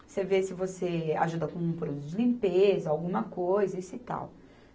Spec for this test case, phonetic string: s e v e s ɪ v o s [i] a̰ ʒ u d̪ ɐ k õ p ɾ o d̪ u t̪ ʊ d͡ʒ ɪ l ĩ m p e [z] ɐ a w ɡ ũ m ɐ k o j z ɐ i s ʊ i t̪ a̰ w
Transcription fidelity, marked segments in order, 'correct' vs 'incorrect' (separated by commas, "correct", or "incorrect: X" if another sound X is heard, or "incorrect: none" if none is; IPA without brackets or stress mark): incorrect: e, correct